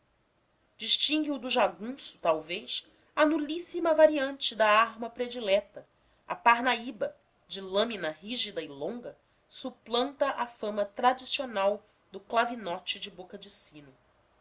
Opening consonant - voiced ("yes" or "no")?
yes